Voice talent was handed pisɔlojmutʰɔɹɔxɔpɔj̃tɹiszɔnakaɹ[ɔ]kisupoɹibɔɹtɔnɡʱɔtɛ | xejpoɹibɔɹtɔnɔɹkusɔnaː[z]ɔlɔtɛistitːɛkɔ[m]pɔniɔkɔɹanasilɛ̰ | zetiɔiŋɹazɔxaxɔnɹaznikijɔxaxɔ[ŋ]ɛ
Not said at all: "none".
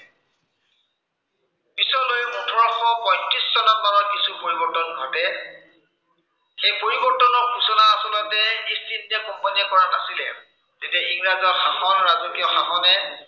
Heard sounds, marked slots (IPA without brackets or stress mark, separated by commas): ɔ, s, m, n